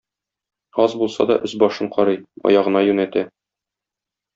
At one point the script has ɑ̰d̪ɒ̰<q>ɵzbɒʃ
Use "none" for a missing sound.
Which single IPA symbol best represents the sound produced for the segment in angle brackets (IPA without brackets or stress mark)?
ʔ